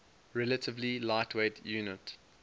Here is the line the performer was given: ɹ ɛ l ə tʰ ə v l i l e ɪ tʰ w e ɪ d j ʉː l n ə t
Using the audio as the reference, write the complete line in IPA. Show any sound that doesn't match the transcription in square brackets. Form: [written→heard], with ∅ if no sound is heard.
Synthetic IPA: ɹ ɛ l ə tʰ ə v l i l [e→a] ɪ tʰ w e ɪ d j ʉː [l→∅] n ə t